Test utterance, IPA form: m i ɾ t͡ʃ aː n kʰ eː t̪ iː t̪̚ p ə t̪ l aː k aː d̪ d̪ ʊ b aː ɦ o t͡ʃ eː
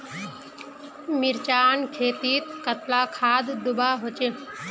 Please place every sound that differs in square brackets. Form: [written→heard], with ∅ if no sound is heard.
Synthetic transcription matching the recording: m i ɾ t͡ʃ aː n kʰ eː t̪ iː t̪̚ [p→k] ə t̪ l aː [k→kʰ] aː d̪ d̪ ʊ b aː ɦ o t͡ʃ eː